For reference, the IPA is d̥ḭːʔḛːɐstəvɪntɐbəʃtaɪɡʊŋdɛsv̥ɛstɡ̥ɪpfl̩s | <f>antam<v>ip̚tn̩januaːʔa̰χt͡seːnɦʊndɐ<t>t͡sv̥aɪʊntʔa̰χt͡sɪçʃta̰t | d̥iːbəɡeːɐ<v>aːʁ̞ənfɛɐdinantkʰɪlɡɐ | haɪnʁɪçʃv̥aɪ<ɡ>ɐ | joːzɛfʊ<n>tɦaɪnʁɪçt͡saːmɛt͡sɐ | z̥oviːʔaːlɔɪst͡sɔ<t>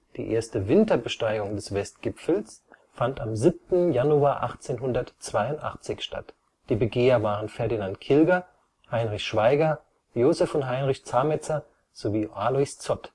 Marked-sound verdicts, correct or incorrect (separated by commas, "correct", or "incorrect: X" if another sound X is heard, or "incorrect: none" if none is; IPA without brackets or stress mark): correct, incorrect: z, correct, correct, correct, correct, correct